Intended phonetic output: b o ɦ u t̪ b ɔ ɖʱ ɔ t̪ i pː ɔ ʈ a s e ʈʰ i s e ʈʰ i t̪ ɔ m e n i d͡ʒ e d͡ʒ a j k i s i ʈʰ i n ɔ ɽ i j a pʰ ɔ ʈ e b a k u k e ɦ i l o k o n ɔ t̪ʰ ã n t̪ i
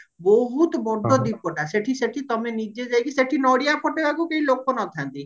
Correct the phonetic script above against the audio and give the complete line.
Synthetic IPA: b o ɦ u t̪ b ɔ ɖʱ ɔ d̪ i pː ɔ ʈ a s e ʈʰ i s e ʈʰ i t̪ ɔ m e n i d͡ʒ e d͡ʒ a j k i s e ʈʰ i n ɔ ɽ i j a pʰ ɔ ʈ e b a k u k e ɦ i l o k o n ɔ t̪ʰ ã n t̪ i

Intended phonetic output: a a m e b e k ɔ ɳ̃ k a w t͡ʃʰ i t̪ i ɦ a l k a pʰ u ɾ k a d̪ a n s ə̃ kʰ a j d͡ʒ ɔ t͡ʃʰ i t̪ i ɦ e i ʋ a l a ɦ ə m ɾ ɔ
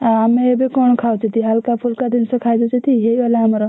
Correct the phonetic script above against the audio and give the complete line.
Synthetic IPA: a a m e b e k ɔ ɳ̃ kʰ a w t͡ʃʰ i t̪ i ɦ a l k a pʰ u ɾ k a d̪ i n s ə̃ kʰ a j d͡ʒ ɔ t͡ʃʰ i t̪ i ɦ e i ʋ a l a ɦ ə m ɾ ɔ

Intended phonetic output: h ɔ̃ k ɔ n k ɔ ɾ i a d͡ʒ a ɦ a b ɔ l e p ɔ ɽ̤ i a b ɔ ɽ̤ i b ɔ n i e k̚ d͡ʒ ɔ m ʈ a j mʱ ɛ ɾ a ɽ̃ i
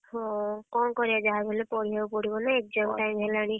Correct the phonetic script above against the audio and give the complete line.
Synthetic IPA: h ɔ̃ k ɔ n k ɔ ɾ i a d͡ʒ a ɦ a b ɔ l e p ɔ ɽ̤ i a p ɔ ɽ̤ i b ɔ n a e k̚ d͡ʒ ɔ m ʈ a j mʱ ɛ l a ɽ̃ i

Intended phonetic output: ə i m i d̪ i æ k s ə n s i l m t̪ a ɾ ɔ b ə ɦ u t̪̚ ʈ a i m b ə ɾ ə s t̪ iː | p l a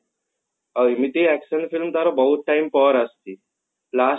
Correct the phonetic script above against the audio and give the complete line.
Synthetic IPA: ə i m i t̪ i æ k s ə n f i l m t̪ a ɾ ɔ b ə ɦ u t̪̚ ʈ a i m p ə ɾ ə s t̪ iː | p l a

